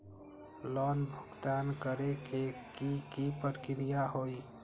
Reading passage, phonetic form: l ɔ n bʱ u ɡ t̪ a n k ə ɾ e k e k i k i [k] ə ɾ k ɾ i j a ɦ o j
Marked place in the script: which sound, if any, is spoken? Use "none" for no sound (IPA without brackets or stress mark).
p